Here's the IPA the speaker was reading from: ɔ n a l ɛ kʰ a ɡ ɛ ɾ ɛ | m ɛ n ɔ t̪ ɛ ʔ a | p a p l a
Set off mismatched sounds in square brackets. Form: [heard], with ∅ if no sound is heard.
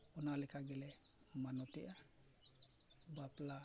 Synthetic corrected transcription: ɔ n a l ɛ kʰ a ɡ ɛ [l] ɛ | m [a] n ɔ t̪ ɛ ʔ a | [b] a p l a